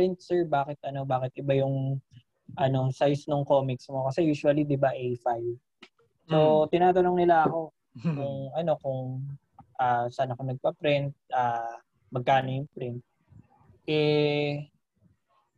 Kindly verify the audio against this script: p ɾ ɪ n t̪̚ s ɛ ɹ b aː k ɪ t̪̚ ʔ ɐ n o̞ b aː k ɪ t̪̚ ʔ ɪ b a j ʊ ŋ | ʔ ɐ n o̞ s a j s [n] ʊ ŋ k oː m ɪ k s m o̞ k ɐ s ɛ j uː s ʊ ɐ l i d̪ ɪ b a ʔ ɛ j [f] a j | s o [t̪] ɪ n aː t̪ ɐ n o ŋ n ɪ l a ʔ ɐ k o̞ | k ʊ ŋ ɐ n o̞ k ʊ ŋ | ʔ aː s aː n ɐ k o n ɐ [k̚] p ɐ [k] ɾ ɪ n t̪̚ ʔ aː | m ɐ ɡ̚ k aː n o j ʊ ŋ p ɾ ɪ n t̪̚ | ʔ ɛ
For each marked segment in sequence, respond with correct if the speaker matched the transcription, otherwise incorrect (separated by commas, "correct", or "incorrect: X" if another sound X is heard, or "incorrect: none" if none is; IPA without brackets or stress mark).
correct, correct, correct, incorrect: ɡ̚, incorrect: p